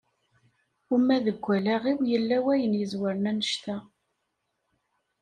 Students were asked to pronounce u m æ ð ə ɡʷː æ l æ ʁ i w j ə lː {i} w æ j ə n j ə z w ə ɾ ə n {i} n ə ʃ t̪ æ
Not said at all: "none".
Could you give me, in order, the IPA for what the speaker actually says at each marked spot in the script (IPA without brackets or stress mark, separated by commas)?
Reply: æ, æ